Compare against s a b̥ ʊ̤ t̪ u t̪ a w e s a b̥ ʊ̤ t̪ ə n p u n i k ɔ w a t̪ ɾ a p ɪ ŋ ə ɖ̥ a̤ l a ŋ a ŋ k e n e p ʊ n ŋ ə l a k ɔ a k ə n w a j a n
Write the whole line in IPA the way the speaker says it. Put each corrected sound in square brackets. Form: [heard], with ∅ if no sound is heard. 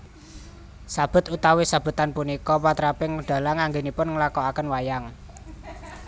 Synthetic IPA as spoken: s a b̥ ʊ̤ t̪ u t̪ a w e s a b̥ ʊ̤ t̪ [a] n p u n i k ɔ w a t̪ ɾ a p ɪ ŋ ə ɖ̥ a̤ l a ŋ a ŋ [ɡ] e n [i] p ʊ n ŋ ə l a k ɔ a k ə n w a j a [ŋ]